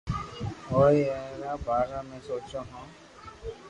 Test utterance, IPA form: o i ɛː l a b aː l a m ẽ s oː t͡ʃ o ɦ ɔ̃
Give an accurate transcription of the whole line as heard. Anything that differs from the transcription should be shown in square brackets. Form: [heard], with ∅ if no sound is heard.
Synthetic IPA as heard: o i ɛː [ɾ] a b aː [ɾ] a m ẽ s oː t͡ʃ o ɦ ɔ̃